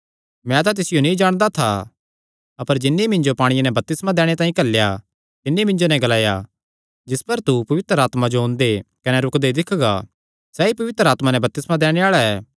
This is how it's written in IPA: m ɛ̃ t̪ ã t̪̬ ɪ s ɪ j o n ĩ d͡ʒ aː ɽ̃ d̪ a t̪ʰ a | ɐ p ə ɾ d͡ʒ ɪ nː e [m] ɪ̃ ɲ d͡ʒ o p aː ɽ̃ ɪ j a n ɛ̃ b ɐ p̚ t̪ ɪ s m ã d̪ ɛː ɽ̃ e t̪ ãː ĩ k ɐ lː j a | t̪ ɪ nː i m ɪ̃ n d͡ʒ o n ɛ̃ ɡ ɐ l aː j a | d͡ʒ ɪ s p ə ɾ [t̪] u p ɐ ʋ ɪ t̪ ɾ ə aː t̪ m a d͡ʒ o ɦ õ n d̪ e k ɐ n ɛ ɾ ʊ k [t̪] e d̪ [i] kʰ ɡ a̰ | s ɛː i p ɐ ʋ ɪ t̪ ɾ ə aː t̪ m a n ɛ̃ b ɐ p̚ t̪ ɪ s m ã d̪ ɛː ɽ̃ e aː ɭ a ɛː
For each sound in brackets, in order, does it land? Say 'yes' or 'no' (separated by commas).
yes, yes, no, no